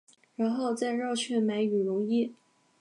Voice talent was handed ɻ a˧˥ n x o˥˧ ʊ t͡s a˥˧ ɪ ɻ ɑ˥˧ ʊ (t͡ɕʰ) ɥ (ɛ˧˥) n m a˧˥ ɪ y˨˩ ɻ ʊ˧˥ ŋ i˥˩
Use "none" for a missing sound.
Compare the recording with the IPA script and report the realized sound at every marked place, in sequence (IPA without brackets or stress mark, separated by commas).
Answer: t͡ɕʰ, ɛ˥˩